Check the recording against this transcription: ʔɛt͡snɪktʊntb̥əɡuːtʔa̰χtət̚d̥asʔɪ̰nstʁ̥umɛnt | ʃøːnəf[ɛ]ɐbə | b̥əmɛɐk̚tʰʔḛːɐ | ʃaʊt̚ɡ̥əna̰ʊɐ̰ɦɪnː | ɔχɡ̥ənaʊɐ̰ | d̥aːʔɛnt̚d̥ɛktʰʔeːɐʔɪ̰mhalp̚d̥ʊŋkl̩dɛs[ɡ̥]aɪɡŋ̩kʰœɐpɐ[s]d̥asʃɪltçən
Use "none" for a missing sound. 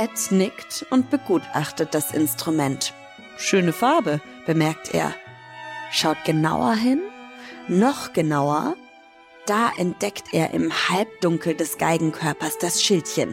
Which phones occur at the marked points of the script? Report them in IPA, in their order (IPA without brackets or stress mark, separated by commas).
a, ɡ̥, s